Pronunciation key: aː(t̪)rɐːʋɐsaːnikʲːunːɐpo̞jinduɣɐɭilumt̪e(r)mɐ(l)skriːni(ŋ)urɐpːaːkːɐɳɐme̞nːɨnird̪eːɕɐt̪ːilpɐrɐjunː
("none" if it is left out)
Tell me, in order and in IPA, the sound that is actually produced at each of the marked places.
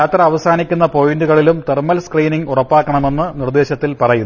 t̪, r, l, ŋ

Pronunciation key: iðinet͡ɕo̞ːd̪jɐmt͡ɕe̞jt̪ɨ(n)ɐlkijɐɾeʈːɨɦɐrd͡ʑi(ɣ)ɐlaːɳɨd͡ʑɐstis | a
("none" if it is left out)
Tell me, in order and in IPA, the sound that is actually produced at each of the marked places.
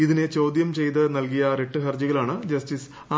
n, ɣ

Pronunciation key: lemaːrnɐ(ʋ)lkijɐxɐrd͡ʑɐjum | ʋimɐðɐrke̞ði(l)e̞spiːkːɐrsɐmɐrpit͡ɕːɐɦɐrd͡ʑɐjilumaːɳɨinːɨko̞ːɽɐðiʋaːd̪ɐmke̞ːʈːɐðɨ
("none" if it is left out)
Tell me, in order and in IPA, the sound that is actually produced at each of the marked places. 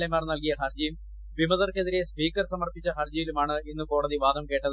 none, ɾ

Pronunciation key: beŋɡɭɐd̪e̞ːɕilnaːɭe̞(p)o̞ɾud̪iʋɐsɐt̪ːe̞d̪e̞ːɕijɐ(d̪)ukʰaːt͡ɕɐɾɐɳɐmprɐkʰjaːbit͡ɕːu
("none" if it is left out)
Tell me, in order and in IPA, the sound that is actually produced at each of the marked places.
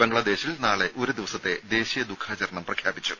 ʔ, d̪

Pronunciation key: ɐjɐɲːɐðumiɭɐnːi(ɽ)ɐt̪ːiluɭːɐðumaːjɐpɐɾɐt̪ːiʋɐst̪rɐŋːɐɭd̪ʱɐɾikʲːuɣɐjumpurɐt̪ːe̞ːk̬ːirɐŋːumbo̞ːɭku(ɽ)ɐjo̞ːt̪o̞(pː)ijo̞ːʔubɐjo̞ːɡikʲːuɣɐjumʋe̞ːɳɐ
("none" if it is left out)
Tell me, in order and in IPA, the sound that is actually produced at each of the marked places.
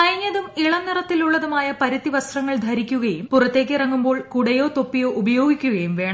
r, ɽ, pː

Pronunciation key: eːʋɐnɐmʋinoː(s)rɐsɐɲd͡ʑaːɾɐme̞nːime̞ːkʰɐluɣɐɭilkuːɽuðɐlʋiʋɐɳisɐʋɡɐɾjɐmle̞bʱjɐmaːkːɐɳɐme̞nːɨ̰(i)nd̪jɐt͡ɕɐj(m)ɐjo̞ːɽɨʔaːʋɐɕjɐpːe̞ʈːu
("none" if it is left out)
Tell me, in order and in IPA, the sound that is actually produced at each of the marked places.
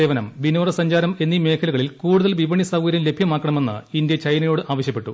none, i, n

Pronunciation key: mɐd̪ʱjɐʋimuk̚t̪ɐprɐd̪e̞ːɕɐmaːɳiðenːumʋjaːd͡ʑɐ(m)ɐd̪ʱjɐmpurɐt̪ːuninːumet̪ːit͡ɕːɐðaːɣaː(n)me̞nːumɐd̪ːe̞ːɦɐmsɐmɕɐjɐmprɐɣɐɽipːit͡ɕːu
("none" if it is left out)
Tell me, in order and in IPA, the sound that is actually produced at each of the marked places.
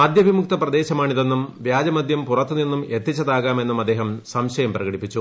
m, none

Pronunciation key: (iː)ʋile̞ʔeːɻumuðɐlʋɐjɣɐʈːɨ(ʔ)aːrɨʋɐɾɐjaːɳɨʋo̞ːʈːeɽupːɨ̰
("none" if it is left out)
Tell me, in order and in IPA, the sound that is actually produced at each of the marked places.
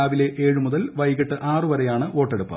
aː, ʔ

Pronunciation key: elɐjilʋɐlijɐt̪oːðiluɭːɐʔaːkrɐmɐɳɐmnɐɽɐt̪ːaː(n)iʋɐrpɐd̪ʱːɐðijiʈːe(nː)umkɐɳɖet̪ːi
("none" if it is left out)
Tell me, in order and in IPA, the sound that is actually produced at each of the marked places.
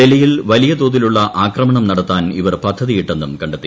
n, nː

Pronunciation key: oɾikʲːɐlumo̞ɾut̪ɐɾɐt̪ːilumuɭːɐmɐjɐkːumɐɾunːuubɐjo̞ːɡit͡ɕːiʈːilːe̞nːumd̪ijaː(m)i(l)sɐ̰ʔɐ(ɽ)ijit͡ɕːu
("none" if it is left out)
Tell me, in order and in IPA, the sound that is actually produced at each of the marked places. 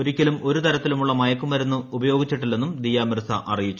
m, r, r

